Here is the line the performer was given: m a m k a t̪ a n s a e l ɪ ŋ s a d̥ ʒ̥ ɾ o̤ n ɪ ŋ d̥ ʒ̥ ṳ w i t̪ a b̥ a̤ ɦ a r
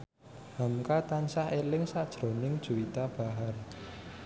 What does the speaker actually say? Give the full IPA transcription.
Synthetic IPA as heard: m a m k a t̪ a n s a e l ɪ ŋ s a d̥ ʒ̥ ɾ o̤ n ɪ ŋ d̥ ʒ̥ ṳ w i t̪ a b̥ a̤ ɦ a r